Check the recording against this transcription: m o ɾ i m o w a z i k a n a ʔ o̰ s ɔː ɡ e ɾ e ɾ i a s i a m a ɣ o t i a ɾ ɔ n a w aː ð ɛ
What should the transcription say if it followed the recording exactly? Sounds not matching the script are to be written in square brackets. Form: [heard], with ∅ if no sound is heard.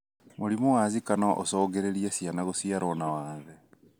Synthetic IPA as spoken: m o ɾ i m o w a z i k a n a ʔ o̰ s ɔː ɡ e ɾ e ɾ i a s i a [n] a ɣ o [s] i a ɾ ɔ n a w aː ð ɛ